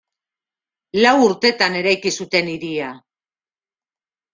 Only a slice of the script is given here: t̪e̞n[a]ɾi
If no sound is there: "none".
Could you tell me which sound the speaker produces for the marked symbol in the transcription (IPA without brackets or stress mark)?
i